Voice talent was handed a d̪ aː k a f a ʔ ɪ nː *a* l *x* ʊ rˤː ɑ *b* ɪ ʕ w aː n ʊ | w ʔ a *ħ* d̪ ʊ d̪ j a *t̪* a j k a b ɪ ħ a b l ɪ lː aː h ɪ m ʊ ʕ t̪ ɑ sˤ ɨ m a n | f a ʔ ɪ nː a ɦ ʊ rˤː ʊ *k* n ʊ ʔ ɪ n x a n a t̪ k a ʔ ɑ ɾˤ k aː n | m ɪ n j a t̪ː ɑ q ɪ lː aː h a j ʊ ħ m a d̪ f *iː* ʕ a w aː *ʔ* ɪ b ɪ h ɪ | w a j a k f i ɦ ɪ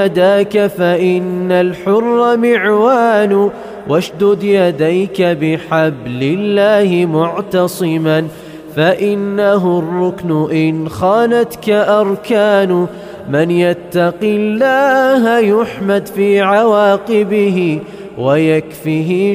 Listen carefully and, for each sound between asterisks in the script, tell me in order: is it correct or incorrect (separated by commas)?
correct, incorrect, incorrect, incorrect, incorrect, correct, correct, incorrect